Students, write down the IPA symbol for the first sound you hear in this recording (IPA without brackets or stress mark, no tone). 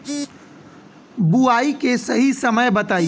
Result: b